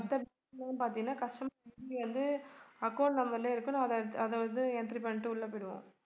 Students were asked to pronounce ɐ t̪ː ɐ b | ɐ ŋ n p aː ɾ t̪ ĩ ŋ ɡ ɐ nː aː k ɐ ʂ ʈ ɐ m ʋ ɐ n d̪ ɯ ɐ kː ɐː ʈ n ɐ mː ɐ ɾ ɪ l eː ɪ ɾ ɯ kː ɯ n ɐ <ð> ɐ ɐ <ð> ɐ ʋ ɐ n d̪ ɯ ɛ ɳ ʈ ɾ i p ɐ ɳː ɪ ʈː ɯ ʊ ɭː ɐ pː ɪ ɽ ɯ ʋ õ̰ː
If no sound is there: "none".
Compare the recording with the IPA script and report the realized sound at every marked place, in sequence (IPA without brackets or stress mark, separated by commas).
ð, ð